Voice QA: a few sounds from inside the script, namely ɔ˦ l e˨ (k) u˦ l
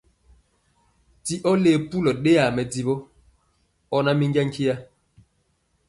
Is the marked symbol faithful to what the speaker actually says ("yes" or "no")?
no